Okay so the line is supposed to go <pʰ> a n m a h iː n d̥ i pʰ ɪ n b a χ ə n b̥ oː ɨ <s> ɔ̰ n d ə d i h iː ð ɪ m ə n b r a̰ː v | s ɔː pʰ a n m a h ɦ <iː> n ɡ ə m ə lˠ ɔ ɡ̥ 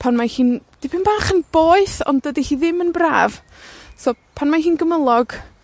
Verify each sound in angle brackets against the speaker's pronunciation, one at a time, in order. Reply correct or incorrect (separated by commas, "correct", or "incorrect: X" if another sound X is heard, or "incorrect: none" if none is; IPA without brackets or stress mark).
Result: correct, incorrect: θ, correct